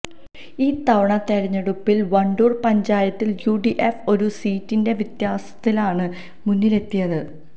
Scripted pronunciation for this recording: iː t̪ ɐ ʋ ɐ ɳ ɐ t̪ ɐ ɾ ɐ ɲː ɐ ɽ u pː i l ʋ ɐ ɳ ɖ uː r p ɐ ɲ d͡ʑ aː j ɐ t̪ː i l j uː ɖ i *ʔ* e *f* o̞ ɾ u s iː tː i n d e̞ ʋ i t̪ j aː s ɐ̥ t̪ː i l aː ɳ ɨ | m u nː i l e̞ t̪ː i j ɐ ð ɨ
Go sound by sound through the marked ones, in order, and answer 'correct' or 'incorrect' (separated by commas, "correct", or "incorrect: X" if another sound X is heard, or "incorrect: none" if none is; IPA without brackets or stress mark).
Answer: correct, correct